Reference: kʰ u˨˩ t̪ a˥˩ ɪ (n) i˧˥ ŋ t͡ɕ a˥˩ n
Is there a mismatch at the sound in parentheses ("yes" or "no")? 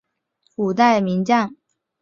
yes